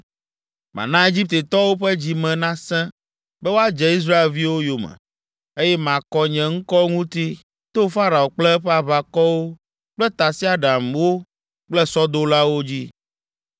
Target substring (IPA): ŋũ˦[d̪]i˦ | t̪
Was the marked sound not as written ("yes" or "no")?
yes